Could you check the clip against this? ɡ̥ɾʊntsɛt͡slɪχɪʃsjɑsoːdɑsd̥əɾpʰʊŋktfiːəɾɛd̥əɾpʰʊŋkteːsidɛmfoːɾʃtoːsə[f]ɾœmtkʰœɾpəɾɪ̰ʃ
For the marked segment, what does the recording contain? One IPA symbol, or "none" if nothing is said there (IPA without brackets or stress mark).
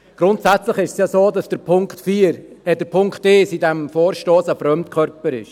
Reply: f